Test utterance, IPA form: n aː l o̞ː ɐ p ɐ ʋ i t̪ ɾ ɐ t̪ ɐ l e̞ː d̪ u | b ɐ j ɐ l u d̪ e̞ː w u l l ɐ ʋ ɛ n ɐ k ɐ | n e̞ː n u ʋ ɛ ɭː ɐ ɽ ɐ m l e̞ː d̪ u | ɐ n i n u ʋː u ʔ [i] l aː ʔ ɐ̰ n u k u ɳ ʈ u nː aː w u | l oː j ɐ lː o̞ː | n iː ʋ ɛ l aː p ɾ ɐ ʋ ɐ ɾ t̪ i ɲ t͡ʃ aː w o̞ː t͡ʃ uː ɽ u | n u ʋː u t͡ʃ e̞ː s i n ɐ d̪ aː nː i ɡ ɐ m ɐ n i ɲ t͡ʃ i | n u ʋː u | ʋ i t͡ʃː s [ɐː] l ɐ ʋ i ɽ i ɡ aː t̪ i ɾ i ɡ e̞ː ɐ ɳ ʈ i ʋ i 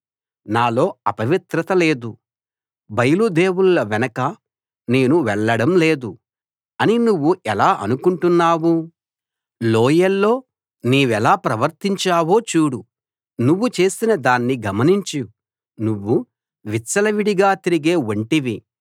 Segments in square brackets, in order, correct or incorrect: incorrect, incorrect

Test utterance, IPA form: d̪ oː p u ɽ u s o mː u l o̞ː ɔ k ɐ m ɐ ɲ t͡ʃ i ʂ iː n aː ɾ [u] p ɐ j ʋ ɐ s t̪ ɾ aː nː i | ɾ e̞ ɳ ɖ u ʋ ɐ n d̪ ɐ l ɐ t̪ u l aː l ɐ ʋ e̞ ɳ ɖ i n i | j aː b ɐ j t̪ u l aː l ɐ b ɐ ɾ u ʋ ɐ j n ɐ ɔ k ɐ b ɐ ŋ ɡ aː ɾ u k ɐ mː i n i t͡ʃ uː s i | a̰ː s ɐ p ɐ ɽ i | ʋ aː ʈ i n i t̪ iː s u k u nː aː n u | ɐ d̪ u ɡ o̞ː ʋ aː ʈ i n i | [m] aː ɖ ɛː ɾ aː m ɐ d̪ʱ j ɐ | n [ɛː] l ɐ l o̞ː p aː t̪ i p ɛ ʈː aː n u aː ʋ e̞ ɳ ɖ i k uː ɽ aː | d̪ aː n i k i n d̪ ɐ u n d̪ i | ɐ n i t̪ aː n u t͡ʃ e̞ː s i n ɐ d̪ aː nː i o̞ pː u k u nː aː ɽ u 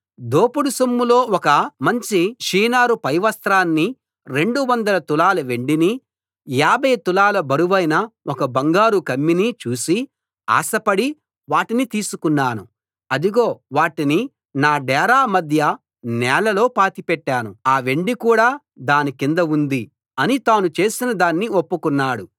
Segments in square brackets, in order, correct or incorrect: correct, incorrect, correct

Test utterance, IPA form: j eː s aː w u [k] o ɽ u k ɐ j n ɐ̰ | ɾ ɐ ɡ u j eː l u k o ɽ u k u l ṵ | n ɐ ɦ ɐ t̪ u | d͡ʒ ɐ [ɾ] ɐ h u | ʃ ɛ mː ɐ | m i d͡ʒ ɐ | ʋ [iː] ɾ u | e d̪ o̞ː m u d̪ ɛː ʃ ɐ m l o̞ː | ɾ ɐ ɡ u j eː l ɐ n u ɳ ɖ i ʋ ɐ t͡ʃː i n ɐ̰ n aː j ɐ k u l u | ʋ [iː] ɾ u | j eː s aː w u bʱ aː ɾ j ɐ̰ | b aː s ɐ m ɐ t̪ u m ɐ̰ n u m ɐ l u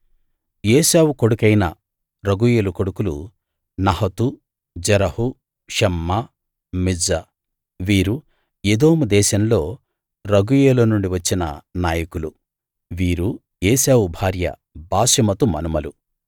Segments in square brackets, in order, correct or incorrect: correct, correct, correct, correct

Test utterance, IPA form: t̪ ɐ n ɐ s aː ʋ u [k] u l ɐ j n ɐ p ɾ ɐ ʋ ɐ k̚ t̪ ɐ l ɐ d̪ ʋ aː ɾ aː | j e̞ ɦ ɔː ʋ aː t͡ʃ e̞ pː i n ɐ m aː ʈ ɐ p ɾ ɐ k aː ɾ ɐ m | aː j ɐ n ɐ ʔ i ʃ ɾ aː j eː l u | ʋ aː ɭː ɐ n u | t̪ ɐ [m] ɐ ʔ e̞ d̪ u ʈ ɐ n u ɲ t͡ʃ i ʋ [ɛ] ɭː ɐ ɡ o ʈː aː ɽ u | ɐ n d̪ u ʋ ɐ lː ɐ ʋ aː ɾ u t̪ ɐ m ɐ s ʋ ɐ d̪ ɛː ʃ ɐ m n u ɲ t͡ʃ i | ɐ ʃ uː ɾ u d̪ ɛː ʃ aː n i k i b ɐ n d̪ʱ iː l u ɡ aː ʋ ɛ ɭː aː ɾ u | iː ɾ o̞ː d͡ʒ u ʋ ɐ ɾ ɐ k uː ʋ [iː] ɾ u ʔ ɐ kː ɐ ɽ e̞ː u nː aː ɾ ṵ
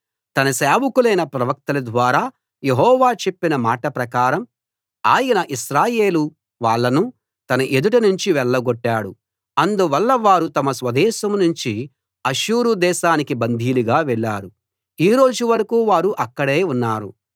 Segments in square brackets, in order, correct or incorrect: correct, incorrect, correct, incorrect

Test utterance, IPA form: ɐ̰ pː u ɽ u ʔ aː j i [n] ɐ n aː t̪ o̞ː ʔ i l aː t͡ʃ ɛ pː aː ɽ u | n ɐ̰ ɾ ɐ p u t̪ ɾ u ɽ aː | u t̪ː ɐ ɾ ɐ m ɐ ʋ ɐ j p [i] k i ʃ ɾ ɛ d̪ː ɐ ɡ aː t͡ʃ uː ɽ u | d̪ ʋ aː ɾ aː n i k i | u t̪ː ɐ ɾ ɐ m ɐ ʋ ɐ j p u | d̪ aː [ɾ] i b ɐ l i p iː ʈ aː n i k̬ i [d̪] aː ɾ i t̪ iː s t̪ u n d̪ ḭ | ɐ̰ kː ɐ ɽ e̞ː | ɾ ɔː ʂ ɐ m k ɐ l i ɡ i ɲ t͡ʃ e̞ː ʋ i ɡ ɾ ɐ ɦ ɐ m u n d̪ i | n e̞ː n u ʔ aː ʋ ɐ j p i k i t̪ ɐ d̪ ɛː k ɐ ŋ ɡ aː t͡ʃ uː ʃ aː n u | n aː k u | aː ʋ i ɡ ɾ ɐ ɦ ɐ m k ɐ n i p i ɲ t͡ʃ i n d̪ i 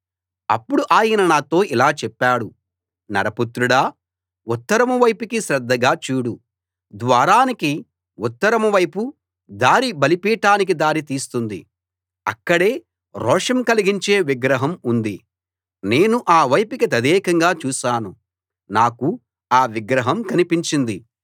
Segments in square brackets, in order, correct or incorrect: correct, correct, correct, correct

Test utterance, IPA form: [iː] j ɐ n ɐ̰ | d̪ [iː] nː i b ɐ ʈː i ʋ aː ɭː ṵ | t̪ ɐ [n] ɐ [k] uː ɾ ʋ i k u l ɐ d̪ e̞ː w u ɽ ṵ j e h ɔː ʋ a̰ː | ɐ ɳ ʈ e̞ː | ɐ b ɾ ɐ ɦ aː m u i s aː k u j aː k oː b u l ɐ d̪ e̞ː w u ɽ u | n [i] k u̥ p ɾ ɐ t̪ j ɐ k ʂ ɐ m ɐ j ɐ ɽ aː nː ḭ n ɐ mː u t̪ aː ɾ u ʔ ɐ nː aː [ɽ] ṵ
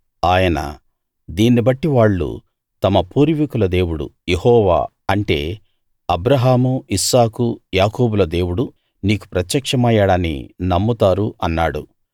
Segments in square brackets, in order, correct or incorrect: incorrect, correct, incorrect, incorrect, incorrect, correct

